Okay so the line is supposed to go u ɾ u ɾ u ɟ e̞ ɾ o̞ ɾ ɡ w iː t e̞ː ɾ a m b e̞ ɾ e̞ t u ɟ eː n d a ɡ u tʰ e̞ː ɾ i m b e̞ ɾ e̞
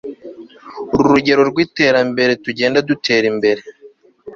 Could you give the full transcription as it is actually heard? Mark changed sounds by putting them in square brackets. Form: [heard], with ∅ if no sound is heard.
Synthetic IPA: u ɾ u ɾ u ɟ e̞ ɾ o̞ ɾ ɡ w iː t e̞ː ɾ a m b e̞ ɾ e̞ t u ɟ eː n d a [d] u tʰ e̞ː ɾ i m b e̞ ɾ e̞

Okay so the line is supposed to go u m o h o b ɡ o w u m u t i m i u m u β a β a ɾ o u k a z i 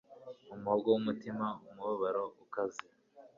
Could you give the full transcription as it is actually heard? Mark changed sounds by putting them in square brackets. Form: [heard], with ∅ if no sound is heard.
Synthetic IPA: u m [u] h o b ɡ o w u m u t i m [a] u m u β a β a ɾ o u k a z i

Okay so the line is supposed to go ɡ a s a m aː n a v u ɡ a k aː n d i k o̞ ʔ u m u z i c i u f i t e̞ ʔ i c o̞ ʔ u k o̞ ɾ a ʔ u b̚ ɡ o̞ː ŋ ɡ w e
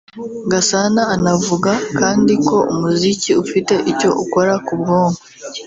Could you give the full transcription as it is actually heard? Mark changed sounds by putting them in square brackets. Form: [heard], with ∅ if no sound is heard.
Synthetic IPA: ɡ a s a [n] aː n a v u ɡ a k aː n d i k o̞ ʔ u m u z i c i u f i t e̞ ʔ i c o̞ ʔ u k o̞ ɾ a [k] u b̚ ɡ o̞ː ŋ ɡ w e

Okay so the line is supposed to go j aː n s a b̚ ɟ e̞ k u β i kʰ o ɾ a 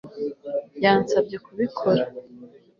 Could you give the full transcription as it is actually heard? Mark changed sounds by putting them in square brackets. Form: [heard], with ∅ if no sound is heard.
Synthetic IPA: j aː n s a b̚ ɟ e̞ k u β i kʰ o ɾ a

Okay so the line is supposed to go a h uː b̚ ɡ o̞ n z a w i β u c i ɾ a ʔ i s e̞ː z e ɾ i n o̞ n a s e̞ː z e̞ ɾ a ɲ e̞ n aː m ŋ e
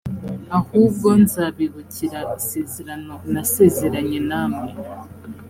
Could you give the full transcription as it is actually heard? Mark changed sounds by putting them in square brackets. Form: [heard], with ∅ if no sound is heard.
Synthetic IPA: a h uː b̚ ɡ o̞ n z a [β] i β u c i ɾ a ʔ i s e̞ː z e ɾ [a] n o̞ n a s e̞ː z e̞ ɾ a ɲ e̞ n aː m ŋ e

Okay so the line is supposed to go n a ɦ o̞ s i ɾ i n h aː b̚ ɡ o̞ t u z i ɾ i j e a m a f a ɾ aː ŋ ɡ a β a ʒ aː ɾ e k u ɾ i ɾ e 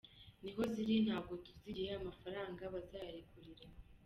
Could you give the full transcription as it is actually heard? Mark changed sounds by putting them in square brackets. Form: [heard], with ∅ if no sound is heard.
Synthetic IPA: n [i] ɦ o̞ [z] i ɾ i n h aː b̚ ɡ o̞ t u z i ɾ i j e a m a f a ɾ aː ŋ ɡ a β a [z] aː ɾ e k u ɾ i ɾ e

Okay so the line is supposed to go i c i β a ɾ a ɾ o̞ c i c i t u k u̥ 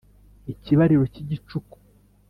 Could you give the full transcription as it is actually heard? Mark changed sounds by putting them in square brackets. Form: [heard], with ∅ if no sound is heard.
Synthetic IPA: i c i β a ɾ [i] ɾ o̞ c i [ɟ] i [t͡ʃ] u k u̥

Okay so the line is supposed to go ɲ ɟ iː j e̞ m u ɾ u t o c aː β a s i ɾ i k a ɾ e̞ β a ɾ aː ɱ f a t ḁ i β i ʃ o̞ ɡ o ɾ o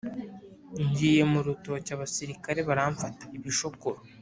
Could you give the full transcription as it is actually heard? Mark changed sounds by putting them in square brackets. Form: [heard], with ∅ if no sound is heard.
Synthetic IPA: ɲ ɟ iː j e̞ m u ɾ u t o c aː β a s i ɾ i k a ɾ e̞ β a ɾ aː ɱ f a t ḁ i β i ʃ o̞ [k] o ɾ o

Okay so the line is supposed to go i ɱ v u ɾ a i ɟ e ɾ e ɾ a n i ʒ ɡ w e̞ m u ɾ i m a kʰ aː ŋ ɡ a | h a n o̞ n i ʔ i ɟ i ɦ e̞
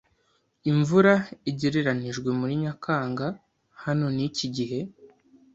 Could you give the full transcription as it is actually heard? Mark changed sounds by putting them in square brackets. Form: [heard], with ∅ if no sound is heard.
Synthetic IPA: i ɱ v u ɾ a i ɟ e ɾ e ɾ a n i ʒ ɡ w e̞ m u ɾ i [ɲ] a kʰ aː ŋ ɡ a | h a n o̞ n i [c] i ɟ i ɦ e̞

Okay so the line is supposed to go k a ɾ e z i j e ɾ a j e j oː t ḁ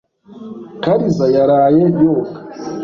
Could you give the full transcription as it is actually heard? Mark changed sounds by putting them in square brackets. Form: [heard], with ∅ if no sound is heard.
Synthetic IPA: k a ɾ [i] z [a] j [a] ɾ a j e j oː [k] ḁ

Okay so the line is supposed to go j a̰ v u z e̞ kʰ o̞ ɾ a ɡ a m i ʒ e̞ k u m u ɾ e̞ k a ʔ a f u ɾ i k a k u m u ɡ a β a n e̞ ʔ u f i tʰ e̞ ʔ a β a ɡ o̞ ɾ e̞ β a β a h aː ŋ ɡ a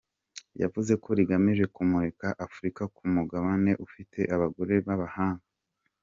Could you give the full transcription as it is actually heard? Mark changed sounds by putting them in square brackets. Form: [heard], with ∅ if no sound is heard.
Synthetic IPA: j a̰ v u z e̞ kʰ o̞ ɾ [i] ɡ a m i ʒ e̞ k u m u ɾ e̞ k a ʔ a f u ɾ i k a k u m u ɡ a β a n e̞ ʔ u f i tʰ e̞ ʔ a β a ɡ o̞ ɾ e̞ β a β a h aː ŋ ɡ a

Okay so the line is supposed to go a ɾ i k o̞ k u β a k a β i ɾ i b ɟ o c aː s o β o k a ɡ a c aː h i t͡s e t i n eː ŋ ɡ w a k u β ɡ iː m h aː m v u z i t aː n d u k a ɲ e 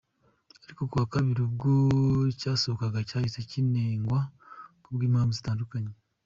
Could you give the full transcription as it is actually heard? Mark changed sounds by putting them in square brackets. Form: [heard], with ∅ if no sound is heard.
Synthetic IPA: a ɾ i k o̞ k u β a k a β i ɾ i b [ɡ] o c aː s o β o k a ɡ a c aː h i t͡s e [c] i n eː ŋ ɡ w a k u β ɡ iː m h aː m v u z i t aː n d u k a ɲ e

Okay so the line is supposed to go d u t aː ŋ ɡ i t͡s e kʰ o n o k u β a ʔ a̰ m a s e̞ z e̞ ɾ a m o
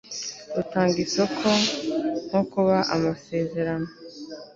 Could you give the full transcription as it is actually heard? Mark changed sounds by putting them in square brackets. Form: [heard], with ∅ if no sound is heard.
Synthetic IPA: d u t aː ŋ ɡ i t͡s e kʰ o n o k u β a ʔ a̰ m a s e̞ z e̞ ɾ a [n] o

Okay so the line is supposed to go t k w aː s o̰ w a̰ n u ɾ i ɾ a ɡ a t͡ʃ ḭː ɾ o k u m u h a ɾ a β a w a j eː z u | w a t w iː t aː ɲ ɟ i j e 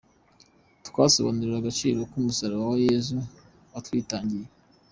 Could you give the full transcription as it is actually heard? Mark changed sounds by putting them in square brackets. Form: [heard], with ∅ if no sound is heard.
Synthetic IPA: t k w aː s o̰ [β] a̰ n u ɾ i ɾ a ɡ a t͡ʃ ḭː ɾ o k u m u [s] a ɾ a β a w a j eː z u | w a t w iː t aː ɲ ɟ i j e

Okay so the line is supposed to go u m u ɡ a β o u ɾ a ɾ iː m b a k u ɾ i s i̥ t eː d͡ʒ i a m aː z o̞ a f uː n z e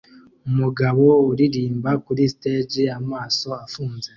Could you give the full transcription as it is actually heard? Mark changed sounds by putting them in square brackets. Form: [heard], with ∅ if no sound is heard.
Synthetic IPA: u m u ɡ a β o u ɾ [i] ɾ iː m b a k u ɾ i s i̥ t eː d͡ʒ i a m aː [s] o̞ a f uː n z e

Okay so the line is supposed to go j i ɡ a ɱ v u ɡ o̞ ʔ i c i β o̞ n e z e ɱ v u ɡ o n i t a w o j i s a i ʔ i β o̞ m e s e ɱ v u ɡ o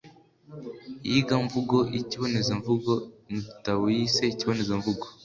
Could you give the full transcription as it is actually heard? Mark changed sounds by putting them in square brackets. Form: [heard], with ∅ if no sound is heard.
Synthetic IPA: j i ɡ a ɱ v u ɡ o̞ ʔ i c i β o̞ n e z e ɱ v u ɡ o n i t a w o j i s [e] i [c] i β o̞ [n] e [z] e ɱ v u ɡ o

